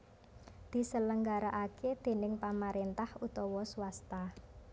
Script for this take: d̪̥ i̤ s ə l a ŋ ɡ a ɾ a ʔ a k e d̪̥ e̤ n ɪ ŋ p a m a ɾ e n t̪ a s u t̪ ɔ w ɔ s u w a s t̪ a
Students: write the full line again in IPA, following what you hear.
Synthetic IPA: d̪̥ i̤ s ə l ə ŋ ɡ a ɾ a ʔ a k e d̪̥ e̤ n ɪ ŋ p a m a ɾ e n t̪ a h u t̪ ɔ w ɔ s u w a s t̪ a